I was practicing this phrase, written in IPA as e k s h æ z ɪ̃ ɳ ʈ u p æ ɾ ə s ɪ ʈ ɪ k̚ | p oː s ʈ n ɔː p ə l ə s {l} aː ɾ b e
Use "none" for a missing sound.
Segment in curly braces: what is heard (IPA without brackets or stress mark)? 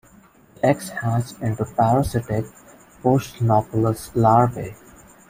l